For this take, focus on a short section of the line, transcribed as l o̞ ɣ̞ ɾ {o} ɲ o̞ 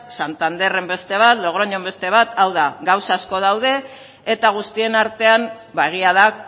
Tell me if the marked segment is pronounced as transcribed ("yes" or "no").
yes